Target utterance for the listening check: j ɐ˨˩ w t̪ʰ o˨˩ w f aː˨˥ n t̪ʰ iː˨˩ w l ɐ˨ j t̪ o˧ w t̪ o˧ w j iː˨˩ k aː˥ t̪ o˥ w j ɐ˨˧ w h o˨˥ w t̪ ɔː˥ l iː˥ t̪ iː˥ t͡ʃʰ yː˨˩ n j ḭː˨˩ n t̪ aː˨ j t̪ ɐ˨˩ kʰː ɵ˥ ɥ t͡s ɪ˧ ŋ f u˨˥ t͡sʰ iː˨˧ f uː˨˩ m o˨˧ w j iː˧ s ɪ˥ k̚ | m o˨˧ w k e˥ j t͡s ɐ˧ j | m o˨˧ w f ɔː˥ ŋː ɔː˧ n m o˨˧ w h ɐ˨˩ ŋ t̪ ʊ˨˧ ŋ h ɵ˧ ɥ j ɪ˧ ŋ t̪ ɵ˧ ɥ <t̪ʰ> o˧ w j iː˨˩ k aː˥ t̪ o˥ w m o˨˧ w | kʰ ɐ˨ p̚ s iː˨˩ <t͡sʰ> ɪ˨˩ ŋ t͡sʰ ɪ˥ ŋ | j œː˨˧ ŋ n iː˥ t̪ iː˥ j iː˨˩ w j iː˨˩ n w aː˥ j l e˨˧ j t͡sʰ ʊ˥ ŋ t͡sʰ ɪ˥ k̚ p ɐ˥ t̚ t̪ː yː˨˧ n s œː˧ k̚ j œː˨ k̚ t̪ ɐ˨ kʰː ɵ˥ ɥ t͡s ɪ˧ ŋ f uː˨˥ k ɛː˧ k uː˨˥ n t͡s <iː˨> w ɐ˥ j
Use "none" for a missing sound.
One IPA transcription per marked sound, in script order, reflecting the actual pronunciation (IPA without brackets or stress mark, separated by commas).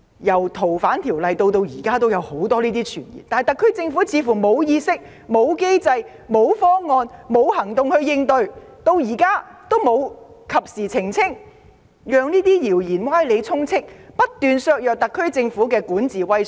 t̪, t͡sʰ, iː˨